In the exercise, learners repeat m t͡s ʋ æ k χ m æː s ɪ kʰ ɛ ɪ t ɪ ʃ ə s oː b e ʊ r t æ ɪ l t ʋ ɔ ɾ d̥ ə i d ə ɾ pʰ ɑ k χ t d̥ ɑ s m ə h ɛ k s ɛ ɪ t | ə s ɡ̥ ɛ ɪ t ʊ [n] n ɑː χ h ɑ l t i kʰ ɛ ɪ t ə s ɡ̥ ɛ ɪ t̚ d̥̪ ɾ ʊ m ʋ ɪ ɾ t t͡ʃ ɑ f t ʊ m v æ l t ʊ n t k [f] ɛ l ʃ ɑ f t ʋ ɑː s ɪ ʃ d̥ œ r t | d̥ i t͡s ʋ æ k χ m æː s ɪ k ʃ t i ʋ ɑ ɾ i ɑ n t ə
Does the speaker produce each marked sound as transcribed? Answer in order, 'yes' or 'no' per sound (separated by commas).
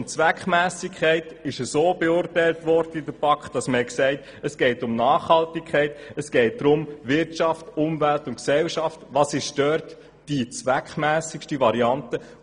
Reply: no, no